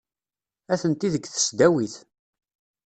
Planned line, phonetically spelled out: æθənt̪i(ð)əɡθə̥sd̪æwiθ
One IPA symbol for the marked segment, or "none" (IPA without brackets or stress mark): ð